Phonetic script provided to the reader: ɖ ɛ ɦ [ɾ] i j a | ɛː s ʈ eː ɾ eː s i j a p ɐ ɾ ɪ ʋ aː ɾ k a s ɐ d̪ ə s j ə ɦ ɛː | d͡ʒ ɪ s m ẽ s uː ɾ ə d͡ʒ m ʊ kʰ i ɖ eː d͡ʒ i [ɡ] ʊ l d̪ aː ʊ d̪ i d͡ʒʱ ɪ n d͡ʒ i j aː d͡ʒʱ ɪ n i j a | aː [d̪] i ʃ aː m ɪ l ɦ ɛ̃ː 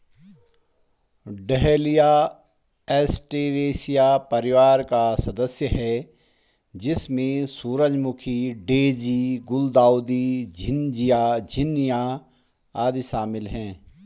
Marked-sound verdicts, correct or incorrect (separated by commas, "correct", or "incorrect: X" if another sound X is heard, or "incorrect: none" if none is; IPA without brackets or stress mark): incorrect: l, correct, correct